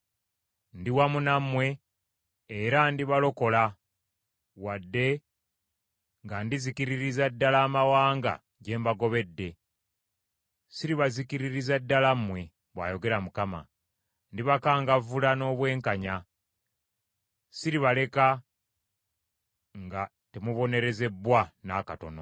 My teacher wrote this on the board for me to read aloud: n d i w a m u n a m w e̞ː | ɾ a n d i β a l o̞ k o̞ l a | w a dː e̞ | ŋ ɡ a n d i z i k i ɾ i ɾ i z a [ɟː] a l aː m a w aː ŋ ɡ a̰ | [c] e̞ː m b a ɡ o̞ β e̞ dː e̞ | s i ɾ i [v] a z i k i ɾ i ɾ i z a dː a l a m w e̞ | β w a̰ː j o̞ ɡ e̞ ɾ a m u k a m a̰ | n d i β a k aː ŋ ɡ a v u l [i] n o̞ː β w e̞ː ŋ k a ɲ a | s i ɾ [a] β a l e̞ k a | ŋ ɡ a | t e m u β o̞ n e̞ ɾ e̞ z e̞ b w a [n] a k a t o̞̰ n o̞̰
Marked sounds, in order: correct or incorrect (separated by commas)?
incorrect, incorrect, incorrect, incorrect, incorrect, correct